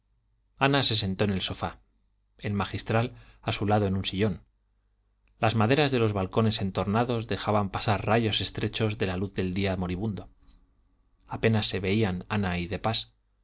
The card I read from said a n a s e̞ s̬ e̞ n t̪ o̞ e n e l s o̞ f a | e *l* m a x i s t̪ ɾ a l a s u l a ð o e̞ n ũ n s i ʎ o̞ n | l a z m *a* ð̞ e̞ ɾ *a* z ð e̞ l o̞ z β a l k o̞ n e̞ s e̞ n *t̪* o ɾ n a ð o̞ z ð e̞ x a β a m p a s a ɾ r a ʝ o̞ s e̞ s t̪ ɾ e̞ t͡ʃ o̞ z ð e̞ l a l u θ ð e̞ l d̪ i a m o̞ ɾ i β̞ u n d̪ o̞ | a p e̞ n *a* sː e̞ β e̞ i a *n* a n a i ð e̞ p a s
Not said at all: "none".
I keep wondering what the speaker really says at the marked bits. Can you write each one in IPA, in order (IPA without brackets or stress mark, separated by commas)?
l, a, a, t̪, a, n